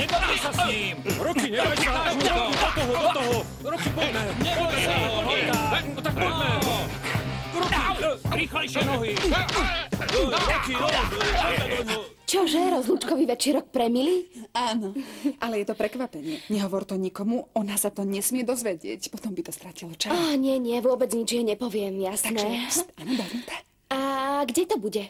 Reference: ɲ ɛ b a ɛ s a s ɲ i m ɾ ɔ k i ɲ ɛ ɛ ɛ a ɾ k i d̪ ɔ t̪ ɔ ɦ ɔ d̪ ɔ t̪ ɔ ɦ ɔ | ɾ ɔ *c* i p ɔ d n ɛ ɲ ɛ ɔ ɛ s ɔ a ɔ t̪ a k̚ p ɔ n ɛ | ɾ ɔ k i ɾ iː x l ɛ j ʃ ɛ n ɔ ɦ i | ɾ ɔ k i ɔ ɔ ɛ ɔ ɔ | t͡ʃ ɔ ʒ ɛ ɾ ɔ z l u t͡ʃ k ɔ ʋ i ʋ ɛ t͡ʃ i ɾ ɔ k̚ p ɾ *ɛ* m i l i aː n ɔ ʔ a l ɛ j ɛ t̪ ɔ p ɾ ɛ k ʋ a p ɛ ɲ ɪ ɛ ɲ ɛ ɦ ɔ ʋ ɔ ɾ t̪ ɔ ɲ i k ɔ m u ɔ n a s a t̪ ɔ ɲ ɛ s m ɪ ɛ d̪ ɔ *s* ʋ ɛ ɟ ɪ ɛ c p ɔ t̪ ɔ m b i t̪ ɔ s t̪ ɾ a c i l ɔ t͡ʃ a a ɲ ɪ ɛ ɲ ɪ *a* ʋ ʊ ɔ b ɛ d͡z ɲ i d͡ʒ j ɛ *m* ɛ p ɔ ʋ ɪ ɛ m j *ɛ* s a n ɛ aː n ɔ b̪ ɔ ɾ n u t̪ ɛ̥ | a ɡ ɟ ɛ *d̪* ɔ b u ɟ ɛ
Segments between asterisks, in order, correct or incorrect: incorrect: k, correct, incorrect: z, incorrect: ɛ, incorrect: ɲ, incorrect: a, incorrect: t̪

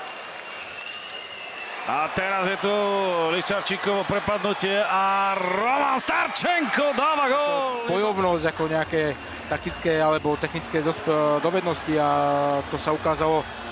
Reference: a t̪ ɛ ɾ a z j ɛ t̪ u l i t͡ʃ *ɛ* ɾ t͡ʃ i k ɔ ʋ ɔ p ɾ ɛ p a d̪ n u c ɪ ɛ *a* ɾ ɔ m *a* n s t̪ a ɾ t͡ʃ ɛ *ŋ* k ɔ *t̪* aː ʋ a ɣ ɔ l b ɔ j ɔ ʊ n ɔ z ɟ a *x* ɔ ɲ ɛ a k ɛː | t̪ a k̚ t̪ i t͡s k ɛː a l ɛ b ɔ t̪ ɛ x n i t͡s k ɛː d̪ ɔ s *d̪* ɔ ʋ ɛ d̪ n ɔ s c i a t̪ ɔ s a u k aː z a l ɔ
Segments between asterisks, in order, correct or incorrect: incorrect: a, correct, correct, correct, incorrect: d̪, incorrect: k, correct

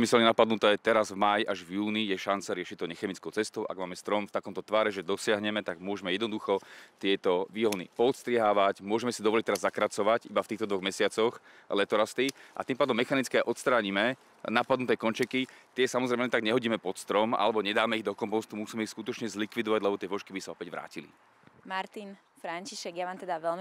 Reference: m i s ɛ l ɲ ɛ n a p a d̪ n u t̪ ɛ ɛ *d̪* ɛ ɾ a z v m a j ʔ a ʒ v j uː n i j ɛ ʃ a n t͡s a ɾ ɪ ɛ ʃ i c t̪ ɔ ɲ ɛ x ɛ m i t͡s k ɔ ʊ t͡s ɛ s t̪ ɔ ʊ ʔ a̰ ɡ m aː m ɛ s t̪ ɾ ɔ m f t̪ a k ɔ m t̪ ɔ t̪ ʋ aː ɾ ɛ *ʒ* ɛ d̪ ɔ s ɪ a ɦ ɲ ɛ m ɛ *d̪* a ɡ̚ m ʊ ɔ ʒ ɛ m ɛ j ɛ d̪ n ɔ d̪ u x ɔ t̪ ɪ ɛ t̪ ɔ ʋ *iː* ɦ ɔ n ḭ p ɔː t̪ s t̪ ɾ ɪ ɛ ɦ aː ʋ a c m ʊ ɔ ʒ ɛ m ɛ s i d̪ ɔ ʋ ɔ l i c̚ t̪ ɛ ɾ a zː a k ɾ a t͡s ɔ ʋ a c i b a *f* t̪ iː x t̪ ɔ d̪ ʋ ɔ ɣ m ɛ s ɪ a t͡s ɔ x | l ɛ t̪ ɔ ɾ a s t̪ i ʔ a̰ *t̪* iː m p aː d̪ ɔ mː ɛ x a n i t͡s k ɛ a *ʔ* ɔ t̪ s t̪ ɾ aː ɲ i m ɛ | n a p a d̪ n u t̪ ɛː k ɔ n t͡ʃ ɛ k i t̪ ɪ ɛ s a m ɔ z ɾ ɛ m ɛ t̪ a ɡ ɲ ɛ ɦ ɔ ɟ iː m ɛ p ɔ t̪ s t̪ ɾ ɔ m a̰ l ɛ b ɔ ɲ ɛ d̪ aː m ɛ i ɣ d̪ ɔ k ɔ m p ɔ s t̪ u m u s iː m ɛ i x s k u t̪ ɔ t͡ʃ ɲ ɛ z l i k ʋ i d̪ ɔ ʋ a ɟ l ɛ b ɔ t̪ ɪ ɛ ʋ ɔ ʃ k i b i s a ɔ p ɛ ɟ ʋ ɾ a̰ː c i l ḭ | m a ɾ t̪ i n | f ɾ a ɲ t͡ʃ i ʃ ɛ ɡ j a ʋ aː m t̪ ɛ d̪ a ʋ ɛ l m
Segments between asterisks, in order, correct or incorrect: incorrect: t̪, correct, incorrect: t̪, correct, correct, correct, correct

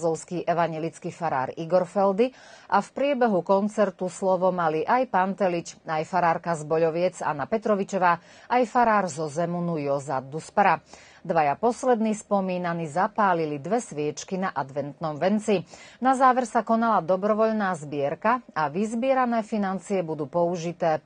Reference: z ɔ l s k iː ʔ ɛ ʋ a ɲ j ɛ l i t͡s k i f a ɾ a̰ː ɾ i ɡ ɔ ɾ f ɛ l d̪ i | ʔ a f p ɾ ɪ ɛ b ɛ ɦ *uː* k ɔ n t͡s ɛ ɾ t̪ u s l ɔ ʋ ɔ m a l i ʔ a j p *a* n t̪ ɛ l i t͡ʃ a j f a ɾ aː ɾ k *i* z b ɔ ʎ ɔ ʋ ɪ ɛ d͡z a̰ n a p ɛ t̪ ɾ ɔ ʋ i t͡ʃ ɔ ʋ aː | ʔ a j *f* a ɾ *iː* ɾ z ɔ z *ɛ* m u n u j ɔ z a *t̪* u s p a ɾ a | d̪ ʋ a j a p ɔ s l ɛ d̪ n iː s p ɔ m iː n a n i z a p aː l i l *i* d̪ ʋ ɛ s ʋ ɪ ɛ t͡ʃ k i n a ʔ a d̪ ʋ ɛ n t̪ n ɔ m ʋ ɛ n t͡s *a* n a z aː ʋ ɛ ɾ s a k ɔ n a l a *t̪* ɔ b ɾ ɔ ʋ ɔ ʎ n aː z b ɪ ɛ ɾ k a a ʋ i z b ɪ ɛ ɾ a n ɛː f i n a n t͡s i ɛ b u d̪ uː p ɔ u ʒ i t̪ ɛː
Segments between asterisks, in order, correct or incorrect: incorrect: u, correct, incorrect: a, correct, incorrect: aː, correct, incorrect: d̪, correct, incorrect: i, incorrect: d̪

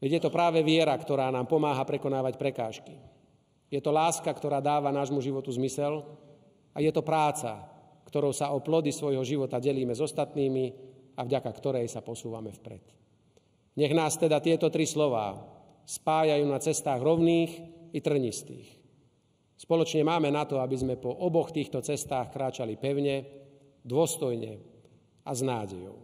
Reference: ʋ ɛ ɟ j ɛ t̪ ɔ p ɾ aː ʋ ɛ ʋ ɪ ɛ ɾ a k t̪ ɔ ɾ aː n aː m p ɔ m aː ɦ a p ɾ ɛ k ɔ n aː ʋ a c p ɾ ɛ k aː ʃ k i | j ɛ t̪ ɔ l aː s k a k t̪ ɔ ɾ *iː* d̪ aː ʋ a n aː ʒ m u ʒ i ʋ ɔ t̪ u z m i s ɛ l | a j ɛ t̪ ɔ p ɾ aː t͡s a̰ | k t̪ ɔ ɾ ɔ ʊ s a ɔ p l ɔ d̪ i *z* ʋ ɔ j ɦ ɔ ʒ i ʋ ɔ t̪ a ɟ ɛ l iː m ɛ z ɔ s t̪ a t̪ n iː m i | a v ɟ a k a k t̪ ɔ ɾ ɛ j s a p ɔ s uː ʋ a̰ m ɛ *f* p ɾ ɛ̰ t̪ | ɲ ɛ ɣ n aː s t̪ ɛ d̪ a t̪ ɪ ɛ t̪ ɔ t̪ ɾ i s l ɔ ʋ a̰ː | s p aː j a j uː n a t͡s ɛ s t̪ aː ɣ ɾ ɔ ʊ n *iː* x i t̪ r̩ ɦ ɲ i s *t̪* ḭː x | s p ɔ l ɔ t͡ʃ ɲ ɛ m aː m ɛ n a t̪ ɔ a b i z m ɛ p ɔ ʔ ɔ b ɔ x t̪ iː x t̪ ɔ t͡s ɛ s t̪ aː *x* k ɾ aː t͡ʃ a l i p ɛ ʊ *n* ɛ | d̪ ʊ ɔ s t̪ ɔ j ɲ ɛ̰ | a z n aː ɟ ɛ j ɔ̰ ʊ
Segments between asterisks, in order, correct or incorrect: incorrect: aː, incorrect: s, correct, correct, correct, correct, incorrect: ɲ

